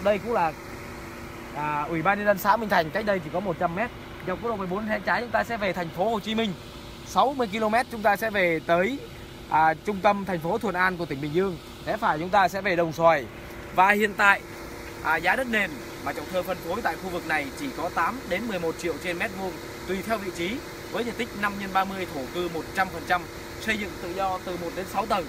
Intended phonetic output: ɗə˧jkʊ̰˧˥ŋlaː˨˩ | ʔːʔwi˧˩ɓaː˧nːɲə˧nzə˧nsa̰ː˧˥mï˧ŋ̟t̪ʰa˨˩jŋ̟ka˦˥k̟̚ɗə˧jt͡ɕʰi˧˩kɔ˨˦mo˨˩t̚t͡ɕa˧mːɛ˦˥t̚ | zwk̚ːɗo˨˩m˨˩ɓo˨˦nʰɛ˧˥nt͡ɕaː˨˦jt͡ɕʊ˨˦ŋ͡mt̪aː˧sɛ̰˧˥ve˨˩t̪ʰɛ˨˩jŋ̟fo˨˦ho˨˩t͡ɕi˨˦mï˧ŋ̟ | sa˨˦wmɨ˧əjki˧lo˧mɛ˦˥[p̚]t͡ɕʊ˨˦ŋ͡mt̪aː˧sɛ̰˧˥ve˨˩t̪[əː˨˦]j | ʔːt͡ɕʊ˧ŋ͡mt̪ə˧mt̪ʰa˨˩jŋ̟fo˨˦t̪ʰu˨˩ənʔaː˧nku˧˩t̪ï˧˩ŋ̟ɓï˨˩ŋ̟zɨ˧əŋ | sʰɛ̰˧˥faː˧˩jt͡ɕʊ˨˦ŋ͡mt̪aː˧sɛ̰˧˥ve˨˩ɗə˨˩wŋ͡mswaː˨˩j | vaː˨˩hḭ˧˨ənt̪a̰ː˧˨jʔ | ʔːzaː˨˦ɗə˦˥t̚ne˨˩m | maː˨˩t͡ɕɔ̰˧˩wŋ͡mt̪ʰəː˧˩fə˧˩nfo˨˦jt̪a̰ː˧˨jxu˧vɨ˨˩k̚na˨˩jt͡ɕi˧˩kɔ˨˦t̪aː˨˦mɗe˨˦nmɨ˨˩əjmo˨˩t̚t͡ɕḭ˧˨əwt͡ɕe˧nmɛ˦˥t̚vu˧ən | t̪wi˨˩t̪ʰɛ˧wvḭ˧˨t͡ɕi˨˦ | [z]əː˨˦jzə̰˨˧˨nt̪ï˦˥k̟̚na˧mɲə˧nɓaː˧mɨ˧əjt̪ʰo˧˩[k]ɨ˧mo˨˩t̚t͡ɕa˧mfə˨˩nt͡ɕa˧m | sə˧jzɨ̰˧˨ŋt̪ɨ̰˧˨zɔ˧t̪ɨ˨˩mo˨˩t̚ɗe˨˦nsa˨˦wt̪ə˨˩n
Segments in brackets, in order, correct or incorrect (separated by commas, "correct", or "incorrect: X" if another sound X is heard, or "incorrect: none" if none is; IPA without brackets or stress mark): incorrect: t̚, correct, incorrect: v, correct